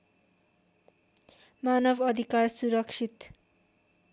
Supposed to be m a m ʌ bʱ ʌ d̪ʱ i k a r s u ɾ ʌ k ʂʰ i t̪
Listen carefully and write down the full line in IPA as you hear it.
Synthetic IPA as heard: m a n ʌ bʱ ʌ d̪ʱ i k a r s u ɾ ʌ k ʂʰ i t̪